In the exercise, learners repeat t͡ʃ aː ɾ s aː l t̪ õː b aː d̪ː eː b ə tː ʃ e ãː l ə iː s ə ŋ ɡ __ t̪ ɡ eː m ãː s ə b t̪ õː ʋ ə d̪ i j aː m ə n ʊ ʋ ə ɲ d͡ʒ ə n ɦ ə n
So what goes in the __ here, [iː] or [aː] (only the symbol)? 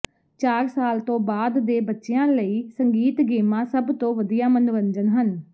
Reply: iː